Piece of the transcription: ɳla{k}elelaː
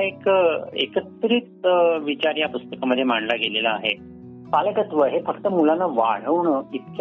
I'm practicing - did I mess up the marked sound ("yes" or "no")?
yes